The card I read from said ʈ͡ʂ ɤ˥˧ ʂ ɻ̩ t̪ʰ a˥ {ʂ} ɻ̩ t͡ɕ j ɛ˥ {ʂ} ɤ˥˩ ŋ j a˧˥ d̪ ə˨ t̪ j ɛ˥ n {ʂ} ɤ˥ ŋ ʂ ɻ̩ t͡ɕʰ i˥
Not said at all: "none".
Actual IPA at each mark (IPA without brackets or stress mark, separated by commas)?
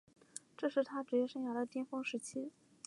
ʈ͡ʂ, ʂ, f